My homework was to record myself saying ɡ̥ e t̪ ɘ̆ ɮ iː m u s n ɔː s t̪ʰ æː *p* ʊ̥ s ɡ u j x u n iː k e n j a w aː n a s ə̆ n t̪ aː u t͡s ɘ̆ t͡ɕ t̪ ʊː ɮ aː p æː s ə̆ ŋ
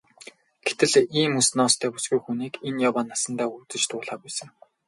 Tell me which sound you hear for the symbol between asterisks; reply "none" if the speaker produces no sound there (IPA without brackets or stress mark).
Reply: p